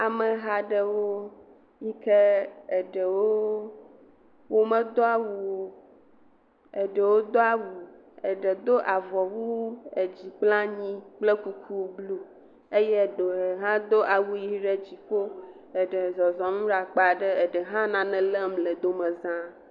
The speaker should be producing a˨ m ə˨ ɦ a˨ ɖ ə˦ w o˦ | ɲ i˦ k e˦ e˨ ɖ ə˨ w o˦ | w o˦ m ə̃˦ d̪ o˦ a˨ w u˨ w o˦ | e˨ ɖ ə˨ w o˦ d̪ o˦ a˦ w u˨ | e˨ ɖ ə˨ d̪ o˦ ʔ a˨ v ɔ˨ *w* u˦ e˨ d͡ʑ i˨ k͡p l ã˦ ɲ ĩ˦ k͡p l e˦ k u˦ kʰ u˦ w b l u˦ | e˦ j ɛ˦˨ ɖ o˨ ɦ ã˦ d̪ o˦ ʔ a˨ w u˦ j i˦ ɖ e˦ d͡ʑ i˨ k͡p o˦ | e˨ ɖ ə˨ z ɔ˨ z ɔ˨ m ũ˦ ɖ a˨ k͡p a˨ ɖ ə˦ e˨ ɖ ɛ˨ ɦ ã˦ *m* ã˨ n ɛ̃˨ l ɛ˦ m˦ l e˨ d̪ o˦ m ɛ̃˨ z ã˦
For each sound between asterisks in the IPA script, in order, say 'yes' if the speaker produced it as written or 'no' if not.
yes, no

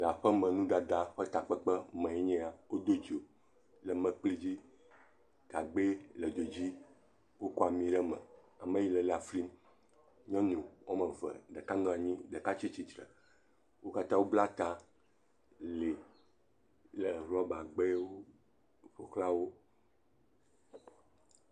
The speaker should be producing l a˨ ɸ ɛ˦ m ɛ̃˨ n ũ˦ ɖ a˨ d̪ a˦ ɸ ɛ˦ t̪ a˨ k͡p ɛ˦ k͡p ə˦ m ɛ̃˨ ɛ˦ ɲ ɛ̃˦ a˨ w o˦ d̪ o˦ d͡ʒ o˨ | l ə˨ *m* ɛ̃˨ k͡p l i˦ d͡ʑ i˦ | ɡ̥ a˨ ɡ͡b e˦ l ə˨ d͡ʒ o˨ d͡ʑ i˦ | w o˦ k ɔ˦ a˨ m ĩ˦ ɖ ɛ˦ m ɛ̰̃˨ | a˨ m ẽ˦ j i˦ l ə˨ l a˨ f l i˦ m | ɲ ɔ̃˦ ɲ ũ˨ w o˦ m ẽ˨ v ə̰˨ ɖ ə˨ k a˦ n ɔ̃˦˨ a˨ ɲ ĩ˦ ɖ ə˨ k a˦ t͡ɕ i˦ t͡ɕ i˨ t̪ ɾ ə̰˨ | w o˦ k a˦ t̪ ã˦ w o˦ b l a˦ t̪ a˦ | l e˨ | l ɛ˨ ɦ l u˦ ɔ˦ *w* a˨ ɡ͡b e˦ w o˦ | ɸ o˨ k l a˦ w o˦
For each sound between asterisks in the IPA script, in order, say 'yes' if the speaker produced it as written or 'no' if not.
yes, no

